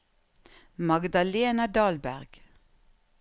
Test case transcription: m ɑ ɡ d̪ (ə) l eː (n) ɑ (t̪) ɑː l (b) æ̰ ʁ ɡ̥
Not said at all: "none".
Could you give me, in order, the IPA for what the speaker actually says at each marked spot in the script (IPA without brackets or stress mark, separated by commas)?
ɑ, n, d̪, b